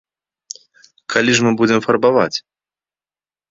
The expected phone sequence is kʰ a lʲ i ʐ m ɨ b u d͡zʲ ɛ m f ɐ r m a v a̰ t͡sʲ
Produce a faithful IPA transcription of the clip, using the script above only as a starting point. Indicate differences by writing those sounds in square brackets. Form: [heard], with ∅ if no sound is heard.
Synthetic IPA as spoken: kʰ a lʲ i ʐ m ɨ b u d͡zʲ ɛ m f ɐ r [b] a v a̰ t͡sʲ